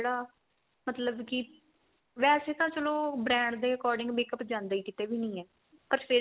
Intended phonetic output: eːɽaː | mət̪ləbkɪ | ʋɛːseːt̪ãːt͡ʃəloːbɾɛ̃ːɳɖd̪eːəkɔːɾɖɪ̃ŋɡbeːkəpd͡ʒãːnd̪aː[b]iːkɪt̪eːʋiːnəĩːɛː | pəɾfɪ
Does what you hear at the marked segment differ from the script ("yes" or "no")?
yes